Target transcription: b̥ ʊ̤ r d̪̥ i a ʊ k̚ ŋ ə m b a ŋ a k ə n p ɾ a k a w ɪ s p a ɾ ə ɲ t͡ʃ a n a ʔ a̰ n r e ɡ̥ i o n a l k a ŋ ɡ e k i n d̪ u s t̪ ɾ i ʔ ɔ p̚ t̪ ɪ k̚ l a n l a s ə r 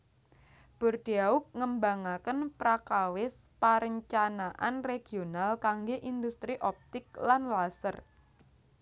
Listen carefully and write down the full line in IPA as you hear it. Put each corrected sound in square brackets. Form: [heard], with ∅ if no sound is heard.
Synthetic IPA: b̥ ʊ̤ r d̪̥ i a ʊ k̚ ŋ ə m b a ŋ a k ə n p ɾ a k a w ɪ s p a ɾ ə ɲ t͡ʃ a n a ʔ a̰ n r e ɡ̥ i o n a l k a ŋ ɡ e [ʔ] i n d̪ u s t̪ ɾ i ʔ ɔ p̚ t̪ ɪ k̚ l a n l a s ə r

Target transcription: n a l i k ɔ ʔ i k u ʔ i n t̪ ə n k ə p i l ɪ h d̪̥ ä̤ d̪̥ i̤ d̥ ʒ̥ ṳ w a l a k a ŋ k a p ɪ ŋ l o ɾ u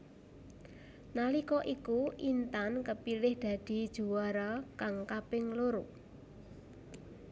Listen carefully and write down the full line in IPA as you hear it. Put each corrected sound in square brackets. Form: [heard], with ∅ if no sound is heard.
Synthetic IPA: n a l i k ɔ ʔ i k u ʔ i n t̪ [a] n k ə p i l ɪ h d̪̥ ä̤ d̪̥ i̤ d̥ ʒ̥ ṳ w a [ɾ] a k a ŋ k a p ɪ ŋ l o ɾ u

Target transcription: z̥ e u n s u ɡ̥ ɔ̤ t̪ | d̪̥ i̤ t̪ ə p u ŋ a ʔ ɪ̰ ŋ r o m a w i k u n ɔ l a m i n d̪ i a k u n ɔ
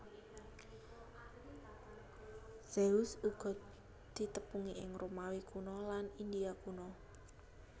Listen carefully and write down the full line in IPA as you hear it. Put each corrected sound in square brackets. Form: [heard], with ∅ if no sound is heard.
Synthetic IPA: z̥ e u [∅] s u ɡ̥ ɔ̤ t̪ | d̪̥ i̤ t̪ ə p u ŋ [i] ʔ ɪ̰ ŋ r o m a w i k u n ɔ l a [n] i n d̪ i a k u n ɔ

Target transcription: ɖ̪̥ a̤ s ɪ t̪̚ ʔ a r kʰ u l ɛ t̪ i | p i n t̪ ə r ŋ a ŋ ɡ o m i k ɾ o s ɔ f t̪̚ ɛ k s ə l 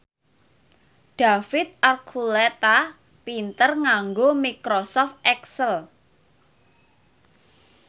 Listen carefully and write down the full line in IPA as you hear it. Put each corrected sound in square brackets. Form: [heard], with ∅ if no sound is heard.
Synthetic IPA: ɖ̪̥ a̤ [f] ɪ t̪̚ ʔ a r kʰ u l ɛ t̪ [a] | p i n t̪ ə r ŋ a ŋ ɡ o m i k ɾ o s ɔ f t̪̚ ɛ k s ə l

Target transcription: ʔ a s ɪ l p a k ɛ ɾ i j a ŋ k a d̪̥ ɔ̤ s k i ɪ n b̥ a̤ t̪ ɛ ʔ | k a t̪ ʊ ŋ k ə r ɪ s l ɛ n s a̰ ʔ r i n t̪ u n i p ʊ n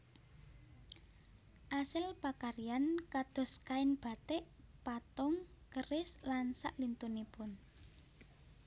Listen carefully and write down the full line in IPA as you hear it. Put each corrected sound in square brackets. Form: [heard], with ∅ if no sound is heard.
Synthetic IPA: ʔ a s ɪ l p a k [a] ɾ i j a [n] k a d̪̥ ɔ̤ s k [a] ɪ n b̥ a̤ t̪ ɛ ʔ | [p] a t̪ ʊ ŋ k ə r ɪ s l [a] n s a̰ ʔ [l] i n t̪ u n i p ʊ n

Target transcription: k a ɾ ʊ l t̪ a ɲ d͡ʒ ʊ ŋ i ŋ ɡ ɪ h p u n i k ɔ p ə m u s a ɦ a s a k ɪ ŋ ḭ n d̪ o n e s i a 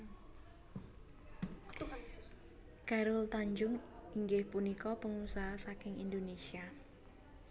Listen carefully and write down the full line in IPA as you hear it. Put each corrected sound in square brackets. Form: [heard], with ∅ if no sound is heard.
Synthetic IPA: k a ɾ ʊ l t̪ a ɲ d͡ʒ ʊ ŋ i ŋ ɡ ɪ h p u n i k ɔ p ə [ŋ] u s a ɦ a s a k ɪ ŋ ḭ n d̪ o n e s i a

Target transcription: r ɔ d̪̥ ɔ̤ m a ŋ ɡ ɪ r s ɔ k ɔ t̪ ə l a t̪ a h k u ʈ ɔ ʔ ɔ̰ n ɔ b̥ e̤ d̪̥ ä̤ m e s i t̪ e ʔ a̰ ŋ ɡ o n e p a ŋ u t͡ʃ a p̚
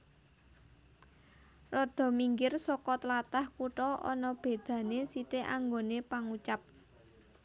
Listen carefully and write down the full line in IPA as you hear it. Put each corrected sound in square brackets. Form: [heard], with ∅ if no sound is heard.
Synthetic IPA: r ɔ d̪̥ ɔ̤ m [i] ŋ ɡ ɪ r s ɔ k ɔ t̪ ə l a t̪ a h k u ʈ ɔ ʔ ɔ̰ n ɔ b̥ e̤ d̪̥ ä̤ [n] e s i t̪ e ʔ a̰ ŋ ɡ o n e p a ŋ u t͡ʃ a p̚

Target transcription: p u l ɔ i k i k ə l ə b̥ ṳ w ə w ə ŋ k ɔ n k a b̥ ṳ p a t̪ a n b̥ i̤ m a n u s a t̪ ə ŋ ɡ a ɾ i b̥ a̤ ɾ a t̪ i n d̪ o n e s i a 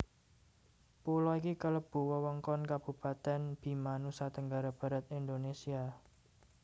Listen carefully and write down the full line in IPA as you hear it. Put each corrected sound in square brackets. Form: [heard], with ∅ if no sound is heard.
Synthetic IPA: p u l ɔ i k i k ə l ə b̥ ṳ w ə w ə ŋ k ɔ n k a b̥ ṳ p a t̪ [ɛ] n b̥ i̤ m a n u s a t̪ ə ŋ ɡ a ɾ [a] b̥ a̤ ɾ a t̪ i n d̪ o n e s i a

